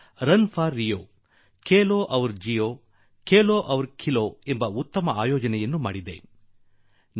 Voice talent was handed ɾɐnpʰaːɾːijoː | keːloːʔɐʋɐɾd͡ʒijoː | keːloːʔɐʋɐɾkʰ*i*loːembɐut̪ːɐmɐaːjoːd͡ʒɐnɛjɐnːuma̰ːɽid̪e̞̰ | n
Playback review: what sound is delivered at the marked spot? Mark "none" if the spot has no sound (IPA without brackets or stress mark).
i